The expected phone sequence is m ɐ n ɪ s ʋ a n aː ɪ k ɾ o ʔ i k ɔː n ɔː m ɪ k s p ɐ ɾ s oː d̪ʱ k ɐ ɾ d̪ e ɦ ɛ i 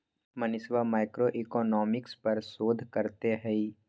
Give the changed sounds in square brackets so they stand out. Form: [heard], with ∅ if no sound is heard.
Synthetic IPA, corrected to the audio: m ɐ n ɪ s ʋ a [m] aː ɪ k ɾ o ʔ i k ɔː n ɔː m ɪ k s p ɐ ɾ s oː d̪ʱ k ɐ ɾ [t̪] e ɦ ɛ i